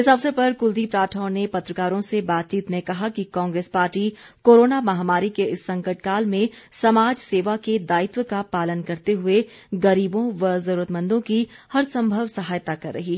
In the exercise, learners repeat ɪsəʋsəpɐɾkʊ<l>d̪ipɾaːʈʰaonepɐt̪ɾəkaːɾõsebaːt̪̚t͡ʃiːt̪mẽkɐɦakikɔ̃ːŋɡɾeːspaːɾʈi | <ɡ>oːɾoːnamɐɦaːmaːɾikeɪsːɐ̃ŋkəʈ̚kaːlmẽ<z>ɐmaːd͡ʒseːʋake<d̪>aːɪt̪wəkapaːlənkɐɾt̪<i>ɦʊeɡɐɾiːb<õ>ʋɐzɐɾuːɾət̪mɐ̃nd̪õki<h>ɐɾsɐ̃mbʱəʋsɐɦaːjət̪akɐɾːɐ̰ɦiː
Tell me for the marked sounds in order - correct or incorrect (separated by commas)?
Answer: correct, incorrect, incorrect, correct, incorrect, correct, correct